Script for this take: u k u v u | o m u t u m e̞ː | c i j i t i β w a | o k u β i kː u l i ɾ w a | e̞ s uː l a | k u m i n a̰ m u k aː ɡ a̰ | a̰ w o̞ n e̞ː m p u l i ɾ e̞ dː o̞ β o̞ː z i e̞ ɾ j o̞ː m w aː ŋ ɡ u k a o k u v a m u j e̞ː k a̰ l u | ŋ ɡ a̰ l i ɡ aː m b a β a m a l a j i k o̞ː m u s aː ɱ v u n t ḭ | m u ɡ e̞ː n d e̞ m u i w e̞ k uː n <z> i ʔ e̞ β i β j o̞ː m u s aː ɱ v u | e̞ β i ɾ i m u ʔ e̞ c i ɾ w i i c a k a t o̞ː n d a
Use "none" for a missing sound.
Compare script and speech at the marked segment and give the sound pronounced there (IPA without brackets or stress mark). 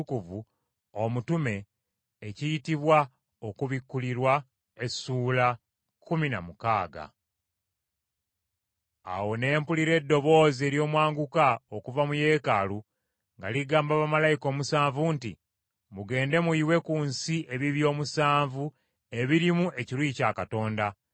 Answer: s